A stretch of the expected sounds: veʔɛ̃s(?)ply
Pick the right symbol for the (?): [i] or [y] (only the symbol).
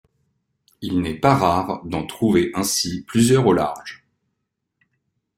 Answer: i